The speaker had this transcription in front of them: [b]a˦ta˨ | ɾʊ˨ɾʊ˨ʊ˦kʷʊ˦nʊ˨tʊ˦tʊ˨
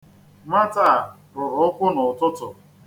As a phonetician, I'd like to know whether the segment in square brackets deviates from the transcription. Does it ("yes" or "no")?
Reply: yes